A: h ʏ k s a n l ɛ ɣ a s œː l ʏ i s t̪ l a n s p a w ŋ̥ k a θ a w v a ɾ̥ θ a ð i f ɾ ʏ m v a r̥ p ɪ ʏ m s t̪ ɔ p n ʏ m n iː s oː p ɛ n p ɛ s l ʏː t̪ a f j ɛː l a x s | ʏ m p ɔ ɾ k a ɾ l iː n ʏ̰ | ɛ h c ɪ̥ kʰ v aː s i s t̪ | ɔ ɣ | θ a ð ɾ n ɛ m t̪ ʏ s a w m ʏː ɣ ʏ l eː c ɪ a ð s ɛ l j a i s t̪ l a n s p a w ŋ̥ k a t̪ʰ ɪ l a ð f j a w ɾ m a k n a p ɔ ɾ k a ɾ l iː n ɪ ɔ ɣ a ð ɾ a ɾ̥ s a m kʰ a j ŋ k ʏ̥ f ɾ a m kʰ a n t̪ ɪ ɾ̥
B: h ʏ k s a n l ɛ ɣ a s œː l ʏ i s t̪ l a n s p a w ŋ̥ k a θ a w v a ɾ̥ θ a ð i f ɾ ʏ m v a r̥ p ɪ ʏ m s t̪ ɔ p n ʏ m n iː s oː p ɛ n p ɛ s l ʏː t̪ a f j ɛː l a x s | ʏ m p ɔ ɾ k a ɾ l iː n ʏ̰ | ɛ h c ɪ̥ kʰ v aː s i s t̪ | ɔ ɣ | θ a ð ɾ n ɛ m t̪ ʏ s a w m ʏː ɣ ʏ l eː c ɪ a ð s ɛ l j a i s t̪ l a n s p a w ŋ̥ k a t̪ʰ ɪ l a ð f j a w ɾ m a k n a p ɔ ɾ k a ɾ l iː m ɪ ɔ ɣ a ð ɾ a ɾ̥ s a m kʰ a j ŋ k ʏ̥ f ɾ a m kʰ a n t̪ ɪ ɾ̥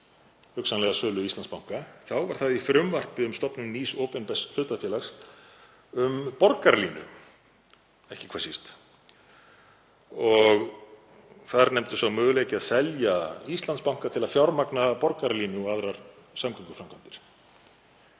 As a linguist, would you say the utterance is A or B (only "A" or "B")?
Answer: A